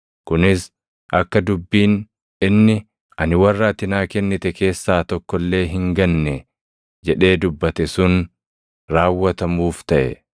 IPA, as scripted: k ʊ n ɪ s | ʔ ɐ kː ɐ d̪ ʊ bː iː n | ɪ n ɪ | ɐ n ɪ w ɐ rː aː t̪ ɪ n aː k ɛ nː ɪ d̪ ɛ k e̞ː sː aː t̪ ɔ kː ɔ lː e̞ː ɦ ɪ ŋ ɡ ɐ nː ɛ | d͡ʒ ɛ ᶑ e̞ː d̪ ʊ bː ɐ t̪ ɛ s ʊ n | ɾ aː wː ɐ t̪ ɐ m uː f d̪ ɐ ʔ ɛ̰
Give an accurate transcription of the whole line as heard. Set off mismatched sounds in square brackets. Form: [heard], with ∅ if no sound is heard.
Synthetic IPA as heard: k ʊ n ɪ s | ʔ ɐ kː ɐ d̪ ʊ bː iː n | ɪ [nː] ɪ | ɐ n ɪ w ɐ rː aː t̪ ɪ n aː k ɛ nː ɪ [t̪] ɛ k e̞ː sː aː t̪ ɔ kː ɔ lː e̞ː ɦ ɪ ŋ ɡ ɐ nː ɛ | d͡ʒ ɛ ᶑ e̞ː d̪ ʊ bː ɐ t̪ ɛ s ʊ n | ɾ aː wː ɐ t̪ ɐ m uː f [t̪] ɐ ʔ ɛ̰